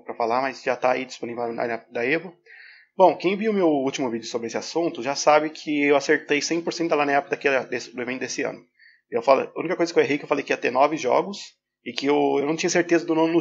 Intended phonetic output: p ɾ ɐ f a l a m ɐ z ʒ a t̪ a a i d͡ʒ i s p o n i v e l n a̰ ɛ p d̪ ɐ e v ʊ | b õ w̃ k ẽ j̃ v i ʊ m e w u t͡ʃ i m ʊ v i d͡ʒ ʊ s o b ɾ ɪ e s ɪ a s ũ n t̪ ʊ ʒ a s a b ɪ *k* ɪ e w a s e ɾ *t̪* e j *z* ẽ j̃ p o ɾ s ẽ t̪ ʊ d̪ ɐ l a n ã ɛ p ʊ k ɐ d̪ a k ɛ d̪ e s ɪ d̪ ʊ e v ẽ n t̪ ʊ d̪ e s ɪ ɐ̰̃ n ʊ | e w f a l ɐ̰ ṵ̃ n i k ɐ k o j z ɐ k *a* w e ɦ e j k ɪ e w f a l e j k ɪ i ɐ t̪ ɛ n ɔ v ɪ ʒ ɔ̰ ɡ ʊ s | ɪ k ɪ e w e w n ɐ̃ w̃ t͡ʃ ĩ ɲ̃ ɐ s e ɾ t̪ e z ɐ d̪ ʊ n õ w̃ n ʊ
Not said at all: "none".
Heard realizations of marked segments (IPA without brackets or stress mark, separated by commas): kʰ, t̪, s, e